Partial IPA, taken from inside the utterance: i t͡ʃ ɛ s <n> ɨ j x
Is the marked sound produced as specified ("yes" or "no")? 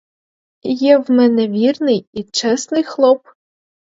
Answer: yes